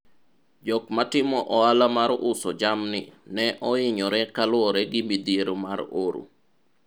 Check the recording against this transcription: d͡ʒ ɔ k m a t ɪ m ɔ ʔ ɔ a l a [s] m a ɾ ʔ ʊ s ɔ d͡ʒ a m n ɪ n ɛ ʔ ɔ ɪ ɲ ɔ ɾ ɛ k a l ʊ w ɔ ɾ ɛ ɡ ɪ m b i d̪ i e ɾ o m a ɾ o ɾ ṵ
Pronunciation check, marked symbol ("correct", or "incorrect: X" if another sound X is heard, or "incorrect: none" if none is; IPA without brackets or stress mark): incorrect: none